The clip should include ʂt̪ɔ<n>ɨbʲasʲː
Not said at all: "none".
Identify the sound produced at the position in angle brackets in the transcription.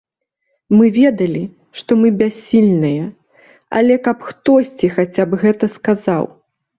m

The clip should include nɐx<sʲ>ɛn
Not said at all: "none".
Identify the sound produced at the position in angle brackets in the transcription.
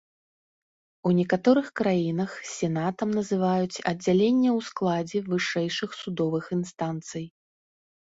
sʲ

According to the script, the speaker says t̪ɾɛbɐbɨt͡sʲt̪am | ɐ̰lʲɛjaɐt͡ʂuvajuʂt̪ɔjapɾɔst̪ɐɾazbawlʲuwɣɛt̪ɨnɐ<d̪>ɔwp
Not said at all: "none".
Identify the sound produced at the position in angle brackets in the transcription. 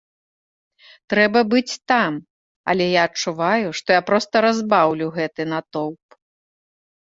t̪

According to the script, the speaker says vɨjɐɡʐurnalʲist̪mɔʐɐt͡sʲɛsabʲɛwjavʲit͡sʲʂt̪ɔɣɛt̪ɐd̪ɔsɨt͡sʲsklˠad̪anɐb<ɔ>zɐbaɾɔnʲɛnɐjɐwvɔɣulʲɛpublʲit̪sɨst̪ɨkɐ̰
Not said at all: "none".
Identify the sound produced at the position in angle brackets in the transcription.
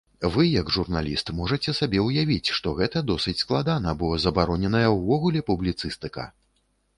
ɔ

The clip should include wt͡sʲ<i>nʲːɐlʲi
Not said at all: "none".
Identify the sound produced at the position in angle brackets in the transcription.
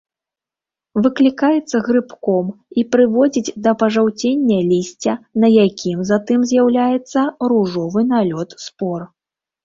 e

